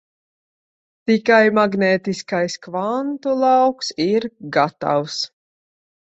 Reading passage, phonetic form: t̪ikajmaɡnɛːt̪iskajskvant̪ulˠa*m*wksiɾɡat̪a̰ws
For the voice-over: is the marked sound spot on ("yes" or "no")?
no